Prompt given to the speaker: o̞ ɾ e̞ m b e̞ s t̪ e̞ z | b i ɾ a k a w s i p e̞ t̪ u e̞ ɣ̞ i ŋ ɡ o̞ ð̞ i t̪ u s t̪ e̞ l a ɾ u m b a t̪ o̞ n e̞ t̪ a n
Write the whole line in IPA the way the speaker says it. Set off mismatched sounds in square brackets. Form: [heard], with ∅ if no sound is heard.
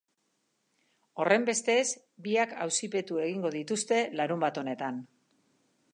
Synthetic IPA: o̞ [r] e̞ m b e̞ s t̪ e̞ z | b i [∅] a k a w s i p e̞ t̪ u e̞ ɣ̞ i ŋ ɡ o̞ ð̞ i t̪ u s t̪ e̞ l a ɾ u m b a t̪ o̞ n e̞ t̪ a n